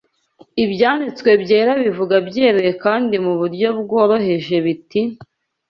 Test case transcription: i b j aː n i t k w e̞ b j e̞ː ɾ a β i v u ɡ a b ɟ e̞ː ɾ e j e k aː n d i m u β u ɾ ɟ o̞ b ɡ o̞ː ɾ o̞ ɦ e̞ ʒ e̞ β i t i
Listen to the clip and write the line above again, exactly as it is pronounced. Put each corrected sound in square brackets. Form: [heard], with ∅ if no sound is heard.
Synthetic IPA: i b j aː n i [t͡s] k w e̞ b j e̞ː ɾ a β i v u ɡ a b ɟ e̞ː ɾ e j e k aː n d i m u β u ɾ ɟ o̞ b ɡ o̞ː ɾ o̞ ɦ e̞ ʒ e̞ β i t i